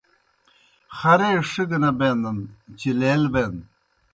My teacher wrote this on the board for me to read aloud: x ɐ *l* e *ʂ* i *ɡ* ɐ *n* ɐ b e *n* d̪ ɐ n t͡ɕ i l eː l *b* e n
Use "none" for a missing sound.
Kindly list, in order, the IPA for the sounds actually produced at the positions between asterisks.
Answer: ɾ, ʂ, ɡ, n, n, b

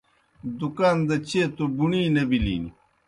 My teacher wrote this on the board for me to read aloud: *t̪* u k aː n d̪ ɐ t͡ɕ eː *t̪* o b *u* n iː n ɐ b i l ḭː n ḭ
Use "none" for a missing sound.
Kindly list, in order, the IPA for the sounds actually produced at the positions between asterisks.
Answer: d̪, t̪, u

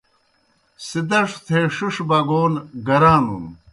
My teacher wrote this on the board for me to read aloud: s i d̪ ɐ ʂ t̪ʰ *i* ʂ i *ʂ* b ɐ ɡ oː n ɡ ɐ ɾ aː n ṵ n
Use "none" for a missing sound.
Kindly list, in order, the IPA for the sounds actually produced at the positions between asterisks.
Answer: e, ʂ

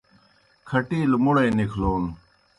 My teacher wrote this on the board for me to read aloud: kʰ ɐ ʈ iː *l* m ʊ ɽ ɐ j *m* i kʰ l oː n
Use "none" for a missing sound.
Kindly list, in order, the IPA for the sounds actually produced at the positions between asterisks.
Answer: l, n

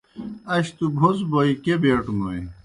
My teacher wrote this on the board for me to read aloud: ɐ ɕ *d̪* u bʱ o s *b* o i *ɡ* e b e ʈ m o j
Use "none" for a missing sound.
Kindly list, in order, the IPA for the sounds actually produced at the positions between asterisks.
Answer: t̪, b, k

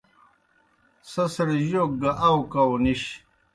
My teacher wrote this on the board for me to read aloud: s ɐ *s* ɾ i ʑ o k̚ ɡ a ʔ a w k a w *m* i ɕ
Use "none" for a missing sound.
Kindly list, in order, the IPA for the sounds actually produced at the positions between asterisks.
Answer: s, n

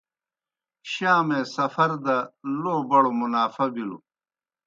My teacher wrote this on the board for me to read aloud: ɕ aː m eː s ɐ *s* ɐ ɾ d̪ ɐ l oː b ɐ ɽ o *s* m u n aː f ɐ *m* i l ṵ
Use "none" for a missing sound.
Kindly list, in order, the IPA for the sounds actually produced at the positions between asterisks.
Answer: f, none, b

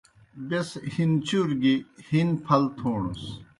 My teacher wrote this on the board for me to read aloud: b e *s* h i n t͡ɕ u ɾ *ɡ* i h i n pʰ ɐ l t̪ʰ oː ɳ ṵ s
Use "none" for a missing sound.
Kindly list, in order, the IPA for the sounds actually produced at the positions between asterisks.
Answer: s, ɡ

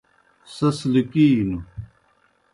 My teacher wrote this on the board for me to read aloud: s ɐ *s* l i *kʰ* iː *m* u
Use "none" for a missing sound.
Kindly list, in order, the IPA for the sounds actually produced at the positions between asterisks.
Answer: s, k, n

